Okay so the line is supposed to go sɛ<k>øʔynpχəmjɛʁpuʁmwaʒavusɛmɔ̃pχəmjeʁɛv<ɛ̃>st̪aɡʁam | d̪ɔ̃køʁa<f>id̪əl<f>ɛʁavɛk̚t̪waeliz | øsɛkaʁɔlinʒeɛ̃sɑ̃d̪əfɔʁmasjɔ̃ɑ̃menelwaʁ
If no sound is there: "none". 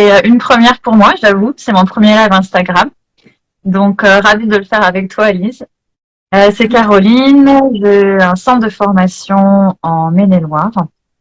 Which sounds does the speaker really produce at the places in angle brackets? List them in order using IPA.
none, ɛ̃, v, f

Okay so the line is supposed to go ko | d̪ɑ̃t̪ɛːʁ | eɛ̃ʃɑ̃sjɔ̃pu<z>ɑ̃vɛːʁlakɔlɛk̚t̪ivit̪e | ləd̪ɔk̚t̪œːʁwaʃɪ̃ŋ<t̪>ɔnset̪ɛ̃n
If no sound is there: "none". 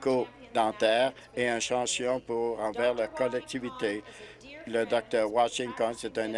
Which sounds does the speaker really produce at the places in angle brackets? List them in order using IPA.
ʁ, t̪

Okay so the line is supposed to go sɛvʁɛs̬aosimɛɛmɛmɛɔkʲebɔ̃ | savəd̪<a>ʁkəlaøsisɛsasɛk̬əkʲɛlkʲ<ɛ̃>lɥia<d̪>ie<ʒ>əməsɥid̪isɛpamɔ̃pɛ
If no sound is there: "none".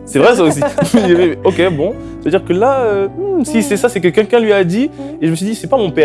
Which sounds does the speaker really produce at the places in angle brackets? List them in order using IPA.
i, ɛ̃, d̪, ʒ

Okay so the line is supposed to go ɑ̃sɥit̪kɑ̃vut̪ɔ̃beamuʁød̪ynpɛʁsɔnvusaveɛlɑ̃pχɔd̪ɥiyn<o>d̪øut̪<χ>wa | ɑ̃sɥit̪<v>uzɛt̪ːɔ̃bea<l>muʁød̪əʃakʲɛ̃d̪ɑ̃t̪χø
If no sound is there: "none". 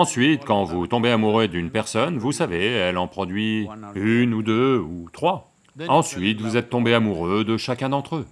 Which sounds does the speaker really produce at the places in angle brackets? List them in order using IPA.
u, χ, v, none

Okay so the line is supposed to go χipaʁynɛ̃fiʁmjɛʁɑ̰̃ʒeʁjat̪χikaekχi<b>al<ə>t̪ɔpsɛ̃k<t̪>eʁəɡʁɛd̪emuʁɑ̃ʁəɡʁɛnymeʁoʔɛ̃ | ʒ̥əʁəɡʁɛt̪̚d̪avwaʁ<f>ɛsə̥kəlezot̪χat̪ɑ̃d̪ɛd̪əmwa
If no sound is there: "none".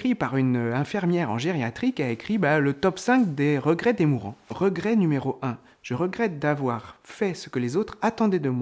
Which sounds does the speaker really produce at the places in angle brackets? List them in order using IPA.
b, ə, d̪, f

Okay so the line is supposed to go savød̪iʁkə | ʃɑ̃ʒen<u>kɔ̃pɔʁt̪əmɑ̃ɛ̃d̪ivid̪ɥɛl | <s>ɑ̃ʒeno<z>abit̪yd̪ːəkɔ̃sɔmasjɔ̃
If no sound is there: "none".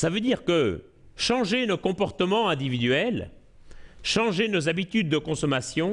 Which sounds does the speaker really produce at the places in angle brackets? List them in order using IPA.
o, ʃ, z

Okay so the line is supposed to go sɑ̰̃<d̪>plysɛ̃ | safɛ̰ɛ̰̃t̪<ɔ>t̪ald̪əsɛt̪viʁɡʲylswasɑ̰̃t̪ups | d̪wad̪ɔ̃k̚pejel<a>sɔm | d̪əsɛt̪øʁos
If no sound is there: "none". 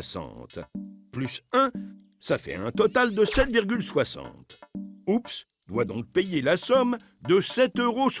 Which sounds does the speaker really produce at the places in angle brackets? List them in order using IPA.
t̪, ɔ, a

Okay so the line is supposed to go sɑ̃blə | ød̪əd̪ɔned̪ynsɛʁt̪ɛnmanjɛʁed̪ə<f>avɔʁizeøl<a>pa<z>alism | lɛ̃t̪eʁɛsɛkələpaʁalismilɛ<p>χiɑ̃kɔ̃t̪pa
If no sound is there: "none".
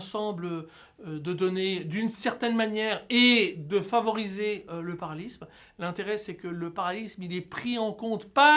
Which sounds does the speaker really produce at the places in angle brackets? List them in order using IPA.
f, ə, ʁ, p

